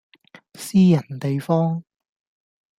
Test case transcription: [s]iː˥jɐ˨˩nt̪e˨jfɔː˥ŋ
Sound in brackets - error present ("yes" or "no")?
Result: no